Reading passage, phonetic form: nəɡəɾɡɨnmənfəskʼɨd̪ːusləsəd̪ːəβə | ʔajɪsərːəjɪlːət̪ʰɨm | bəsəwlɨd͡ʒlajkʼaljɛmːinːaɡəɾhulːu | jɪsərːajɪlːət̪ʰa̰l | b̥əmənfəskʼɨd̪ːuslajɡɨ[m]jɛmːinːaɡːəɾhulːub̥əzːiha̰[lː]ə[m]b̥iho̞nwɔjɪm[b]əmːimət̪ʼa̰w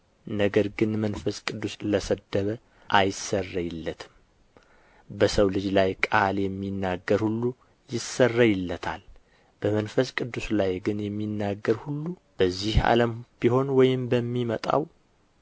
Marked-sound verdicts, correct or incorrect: incorrect: n, incorrect: l, correct, correct

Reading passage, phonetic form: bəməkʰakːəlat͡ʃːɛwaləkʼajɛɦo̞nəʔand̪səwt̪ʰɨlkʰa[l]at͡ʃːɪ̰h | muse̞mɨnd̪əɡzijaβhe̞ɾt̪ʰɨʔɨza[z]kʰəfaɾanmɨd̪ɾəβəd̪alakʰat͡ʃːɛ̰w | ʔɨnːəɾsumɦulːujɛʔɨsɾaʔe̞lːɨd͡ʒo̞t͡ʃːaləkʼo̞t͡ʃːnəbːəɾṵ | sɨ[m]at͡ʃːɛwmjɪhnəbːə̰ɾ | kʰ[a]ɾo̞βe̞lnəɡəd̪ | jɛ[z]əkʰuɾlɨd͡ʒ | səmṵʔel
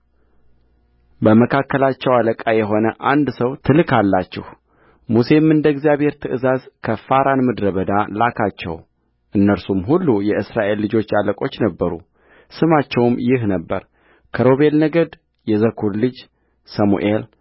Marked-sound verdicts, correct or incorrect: incorrect: lː, correct, correct, incorrect: ə, correct

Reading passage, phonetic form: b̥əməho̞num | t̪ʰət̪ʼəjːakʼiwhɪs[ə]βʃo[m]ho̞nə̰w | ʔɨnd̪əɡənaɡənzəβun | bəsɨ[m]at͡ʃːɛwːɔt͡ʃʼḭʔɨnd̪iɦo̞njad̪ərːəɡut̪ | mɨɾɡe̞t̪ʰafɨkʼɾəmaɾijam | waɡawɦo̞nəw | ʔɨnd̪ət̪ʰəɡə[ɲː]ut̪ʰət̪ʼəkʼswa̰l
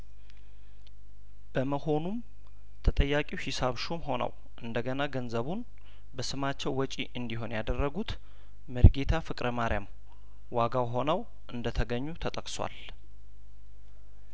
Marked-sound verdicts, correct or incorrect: incorrect: a, correct, correct, correct

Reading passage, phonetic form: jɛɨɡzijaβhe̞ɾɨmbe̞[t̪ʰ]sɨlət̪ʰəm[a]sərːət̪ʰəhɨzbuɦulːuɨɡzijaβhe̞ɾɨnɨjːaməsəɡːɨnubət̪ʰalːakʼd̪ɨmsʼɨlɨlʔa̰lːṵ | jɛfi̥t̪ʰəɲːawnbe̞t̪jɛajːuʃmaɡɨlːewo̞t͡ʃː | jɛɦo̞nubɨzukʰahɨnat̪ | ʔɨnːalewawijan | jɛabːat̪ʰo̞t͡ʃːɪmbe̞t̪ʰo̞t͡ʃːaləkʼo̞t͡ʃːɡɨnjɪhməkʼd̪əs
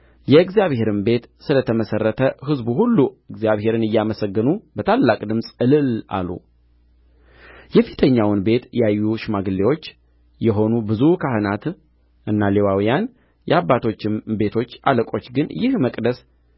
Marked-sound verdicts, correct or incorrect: incorrect: t̪, incorrect: ə

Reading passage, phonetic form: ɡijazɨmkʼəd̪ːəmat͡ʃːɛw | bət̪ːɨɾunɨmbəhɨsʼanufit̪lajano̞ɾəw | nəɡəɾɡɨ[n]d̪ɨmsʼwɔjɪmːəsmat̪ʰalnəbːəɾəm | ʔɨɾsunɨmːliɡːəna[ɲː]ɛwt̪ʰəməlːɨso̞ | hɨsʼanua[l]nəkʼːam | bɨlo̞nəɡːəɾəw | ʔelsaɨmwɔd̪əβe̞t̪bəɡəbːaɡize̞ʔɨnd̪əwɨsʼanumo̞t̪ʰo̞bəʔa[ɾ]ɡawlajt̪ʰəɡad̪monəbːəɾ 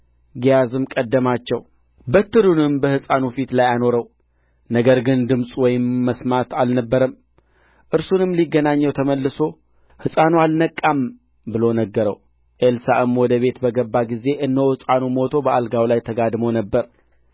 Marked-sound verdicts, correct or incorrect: correct, correct, correct, incorrect: l

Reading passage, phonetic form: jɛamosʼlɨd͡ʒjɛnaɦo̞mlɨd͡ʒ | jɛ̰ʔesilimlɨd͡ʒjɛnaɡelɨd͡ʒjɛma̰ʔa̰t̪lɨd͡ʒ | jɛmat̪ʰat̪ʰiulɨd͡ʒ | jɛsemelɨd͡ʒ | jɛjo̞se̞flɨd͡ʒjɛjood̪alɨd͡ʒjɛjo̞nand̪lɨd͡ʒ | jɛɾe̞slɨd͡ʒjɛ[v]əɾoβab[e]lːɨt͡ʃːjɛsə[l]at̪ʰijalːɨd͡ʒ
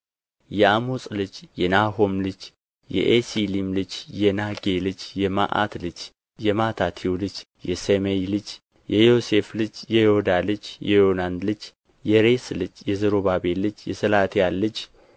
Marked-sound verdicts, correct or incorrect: incorrect: z, correct, correct

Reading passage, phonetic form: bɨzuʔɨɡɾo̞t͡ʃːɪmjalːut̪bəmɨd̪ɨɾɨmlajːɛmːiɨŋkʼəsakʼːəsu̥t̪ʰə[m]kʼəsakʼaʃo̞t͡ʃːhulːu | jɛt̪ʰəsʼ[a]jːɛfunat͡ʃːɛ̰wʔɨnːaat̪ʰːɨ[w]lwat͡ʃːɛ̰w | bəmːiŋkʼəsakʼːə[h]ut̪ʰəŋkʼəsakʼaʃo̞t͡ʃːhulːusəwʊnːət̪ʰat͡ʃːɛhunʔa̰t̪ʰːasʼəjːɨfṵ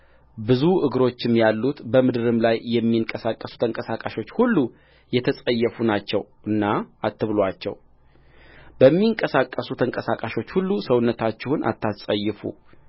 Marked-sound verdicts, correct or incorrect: incorrect: ŋ, incorrect: ə, incorrect: β, incorrect: s

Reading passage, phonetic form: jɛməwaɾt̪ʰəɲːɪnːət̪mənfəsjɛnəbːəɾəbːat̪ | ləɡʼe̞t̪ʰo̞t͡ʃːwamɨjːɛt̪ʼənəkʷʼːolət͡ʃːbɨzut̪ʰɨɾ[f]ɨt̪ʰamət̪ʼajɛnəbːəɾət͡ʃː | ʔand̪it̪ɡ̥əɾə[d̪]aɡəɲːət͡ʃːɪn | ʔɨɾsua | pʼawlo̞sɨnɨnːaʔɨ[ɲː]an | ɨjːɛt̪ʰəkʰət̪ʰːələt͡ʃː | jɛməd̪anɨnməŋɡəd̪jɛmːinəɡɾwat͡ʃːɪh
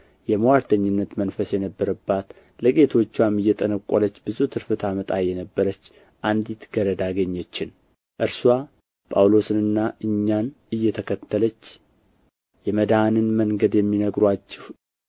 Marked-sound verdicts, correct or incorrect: correct, correct, correct

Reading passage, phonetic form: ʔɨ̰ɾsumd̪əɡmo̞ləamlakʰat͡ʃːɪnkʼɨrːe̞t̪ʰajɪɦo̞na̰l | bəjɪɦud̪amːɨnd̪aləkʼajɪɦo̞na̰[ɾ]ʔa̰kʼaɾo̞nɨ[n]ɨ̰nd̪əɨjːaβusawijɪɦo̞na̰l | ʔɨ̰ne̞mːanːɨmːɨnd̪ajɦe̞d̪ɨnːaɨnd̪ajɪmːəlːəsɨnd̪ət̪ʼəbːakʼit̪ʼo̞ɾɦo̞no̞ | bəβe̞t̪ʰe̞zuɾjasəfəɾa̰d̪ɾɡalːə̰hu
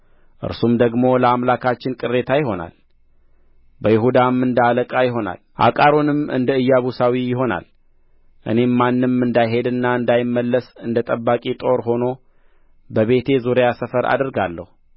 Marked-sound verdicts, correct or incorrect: incorrect: l, incorrect: m

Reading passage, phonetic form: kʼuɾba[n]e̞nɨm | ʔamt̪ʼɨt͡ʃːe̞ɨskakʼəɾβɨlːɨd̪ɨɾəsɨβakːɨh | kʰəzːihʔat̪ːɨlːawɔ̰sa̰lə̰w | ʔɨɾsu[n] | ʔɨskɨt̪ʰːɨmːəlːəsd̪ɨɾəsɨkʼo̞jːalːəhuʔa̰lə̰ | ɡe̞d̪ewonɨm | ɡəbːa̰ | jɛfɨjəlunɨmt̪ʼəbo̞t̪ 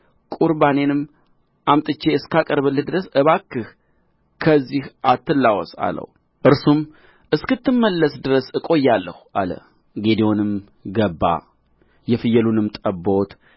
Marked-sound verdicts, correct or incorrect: correct, incorrect: m

